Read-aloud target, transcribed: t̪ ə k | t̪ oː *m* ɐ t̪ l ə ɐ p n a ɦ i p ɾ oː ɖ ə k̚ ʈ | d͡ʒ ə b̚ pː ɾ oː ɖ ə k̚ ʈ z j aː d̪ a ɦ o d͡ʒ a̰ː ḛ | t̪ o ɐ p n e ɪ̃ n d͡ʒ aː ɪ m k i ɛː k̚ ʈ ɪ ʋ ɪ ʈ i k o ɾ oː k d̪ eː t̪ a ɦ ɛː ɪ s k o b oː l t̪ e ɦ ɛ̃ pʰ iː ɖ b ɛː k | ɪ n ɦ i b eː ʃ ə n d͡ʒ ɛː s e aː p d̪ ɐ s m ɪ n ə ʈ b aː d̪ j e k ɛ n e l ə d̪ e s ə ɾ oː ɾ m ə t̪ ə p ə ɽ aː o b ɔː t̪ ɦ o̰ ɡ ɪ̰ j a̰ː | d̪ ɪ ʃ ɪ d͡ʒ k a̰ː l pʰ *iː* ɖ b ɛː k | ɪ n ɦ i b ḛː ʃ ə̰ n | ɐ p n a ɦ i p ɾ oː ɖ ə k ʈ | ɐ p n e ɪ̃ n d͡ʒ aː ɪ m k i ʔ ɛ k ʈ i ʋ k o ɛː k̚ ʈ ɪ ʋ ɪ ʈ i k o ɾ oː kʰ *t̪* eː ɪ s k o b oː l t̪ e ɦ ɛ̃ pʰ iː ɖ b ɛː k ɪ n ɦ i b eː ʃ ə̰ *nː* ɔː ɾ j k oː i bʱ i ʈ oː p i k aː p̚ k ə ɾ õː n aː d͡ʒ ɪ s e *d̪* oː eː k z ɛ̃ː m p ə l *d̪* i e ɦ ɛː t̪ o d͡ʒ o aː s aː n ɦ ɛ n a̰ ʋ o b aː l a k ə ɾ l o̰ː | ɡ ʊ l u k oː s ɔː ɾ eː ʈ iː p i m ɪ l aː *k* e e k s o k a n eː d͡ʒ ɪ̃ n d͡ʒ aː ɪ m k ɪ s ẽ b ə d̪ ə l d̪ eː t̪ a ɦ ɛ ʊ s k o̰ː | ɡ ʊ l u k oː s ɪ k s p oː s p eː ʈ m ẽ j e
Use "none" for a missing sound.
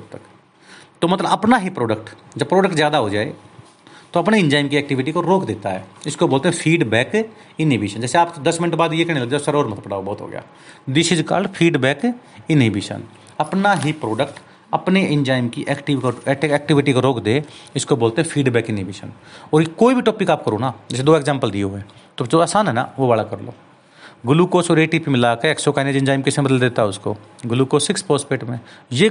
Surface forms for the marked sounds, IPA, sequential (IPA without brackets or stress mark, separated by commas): m, iː, d̪, n, d̪, d̪, k